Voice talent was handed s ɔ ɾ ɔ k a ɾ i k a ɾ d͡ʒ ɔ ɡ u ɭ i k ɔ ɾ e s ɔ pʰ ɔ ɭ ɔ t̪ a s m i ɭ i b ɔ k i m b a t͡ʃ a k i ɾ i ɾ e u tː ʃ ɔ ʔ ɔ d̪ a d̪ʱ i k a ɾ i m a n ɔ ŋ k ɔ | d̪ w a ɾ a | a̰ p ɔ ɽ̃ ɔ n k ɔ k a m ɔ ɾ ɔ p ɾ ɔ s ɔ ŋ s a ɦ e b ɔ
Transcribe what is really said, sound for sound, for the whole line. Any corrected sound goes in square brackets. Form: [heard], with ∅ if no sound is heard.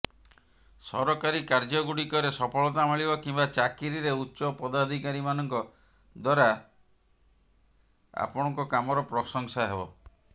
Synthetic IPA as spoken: s ɔ ɾ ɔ k a ɾ i k a ɾ d͡ʒ ɔ ɡ u [ɽ] i k ɔ ɾ e s ɔ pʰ ɔ ɭ ɔ t̪ a [∅] m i ɭ i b ɔ k i m b a t͡ʃ a k i ɾ i ɾ e u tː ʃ ɔ [p] ɔ d̪ a d̪ʱ i k a ɾ i m a n ɔ ŋ k ɔ | d̪ w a ɾ a | a̰ p ɔ ɽ̃ ɔ [ŋ] k ɔ k a m ɔ ɾ ɔ p ɾ ɔ s ɔ ŋ s a ɦ e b ɔ